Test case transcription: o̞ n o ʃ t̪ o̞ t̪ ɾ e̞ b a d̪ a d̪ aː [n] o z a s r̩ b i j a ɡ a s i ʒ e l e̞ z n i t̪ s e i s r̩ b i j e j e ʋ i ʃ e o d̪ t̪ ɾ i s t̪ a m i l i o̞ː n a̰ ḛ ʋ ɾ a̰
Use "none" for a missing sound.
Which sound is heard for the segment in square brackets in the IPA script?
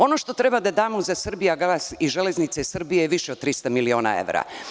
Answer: m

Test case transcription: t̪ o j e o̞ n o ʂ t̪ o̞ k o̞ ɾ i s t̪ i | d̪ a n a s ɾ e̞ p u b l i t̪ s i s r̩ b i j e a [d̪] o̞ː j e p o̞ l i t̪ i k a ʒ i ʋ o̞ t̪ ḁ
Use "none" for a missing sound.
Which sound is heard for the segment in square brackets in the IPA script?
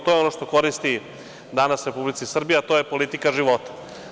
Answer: t̪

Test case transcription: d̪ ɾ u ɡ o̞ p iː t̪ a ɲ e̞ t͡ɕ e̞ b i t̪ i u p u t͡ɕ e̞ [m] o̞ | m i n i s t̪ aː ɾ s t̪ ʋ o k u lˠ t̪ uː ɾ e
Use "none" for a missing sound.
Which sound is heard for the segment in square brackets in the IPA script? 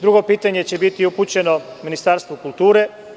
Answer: n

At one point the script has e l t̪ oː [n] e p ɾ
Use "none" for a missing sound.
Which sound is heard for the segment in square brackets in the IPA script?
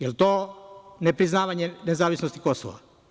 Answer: n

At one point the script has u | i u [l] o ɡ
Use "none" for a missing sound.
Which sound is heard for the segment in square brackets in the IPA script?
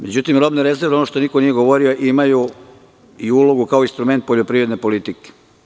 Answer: l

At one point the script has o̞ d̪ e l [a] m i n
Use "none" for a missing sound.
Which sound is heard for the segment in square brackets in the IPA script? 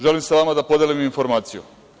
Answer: i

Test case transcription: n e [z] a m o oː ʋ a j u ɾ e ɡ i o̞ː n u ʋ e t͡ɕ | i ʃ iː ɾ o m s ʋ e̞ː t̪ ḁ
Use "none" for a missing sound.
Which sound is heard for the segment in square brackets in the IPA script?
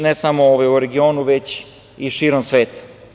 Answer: s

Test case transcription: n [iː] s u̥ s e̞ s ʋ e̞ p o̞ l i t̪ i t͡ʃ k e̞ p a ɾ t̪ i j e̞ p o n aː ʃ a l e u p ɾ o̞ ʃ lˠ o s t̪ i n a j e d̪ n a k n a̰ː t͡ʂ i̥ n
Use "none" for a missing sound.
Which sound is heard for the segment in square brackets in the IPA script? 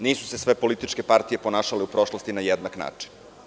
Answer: iː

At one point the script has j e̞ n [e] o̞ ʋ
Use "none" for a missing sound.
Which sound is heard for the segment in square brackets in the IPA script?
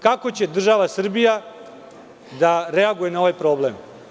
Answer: a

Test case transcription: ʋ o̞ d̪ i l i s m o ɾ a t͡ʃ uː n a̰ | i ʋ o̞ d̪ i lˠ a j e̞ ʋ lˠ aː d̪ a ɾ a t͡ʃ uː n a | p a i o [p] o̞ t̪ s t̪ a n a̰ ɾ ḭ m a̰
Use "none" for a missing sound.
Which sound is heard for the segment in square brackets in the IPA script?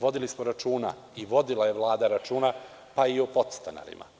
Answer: p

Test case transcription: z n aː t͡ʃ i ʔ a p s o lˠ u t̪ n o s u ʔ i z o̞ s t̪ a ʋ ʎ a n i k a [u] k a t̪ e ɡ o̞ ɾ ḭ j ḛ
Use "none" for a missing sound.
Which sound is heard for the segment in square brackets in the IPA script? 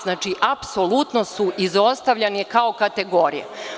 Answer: o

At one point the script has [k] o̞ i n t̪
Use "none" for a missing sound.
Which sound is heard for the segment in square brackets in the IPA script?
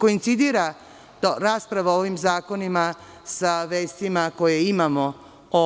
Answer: k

